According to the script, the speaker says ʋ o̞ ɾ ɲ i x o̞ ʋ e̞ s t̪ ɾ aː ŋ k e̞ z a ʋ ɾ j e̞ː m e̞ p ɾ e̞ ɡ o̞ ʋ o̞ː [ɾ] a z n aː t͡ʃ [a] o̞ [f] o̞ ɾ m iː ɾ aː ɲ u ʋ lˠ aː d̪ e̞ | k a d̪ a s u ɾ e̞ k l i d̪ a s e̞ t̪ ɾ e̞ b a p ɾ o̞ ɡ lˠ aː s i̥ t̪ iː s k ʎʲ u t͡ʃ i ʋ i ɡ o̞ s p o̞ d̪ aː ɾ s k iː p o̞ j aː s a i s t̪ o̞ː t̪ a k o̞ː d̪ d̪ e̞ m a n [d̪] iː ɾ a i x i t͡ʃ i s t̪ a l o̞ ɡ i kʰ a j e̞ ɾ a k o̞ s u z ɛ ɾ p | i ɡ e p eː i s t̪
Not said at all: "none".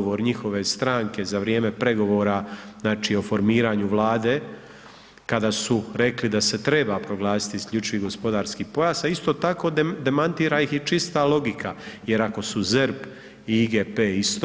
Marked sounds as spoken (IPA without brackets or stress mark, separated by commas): ɾ, i, f, t̪